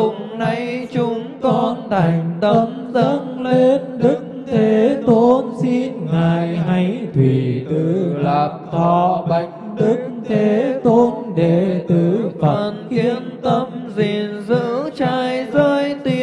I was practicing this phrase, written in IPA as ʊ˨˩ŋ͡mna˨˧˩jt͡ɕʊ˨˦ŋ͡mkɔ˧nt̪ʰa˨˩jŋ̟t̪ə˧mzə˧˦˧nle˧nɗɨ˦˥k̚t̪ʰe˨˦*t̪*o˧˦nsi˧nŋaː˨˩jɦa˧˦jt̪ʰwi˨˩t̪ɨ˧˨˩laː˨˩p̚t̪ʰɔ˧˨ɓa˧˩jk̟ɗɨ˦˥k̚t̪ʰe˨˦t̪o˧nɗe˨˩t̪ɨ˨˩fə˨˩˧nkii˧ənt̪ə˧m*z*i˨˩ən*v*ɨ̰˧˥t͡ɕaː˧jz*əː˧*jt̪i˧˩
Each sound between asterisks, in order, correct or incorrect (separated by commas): correct, correct, incorrect, correct